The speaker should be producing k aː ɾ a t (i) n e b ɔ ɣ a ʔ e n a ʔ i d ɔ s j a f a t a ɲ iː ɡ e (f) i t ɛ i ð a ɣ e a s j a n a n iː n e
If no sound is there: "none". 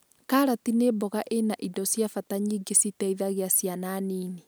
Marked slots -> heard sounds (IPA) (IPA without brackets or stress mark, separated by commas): i, s